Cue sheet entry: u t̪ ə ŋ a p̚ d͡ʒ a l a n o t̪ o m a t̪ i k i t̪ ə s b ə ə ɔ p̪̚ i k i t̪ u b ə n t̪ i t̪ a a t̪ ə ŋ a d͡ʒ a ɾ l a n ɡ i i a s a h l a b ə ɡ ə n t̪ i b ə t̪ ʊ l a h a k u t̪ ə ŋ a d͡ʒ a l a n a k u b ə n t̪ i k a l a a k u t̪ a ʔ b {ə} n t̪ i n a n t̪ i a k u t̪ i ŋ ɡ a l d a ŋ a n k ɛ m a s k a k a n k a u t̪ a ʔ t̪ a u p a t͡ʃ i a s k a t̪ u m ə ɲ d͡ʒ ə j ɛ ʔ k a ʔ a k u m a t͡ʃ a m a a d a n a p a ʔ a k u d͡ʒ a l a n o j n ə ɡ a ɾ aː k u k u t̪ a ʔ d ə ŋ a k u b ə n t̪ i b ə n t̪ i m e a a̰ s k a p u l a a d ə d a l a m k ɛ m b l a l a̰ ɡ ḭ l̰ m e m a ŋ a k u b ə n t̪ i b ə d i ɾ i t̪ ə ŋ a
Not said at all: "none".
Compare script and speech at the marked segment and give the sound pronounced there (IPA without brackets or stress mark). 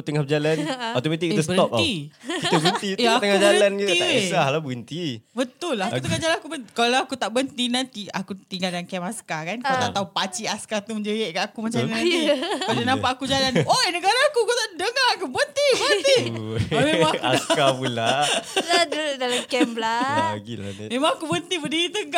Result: ə